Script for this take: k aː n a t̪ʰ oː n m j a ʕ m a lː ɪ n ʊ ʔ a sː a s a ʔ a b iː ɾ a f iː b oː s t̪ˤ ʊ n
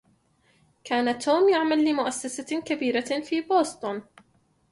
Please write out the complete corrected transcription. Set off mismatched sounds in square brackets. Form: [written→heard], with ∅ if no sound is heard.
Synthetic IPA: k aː n a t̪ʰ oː [n→∅] m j a ʕ m a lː ɪ [n→m] ʊ ʔ a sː a s a [ʔ→k] a b iː ɾ a f iː b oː s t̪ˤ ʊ n